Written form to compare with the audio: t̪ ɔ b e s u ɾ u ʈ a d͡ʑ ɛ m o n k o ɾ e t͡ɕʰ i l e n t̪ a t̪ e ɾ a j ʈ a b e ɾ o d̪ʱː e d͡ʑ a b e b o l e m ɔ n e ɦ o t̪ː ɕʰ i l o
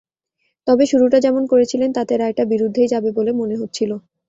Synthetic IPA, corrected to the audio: t̪ ɔ b e ʃ u ɾ u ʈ a d͡ʑ ɛ m o n k o ɾ e t͡ɕʰ i l e n t̪ a t̪ e ɾ a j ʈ a b i ɾ u d̪ʱː e d͡ʑ a b e b o l e m o n e ɦ o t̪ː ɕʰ i l o